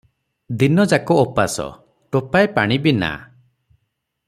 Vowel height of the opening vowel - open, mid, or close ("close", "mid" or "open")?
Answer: close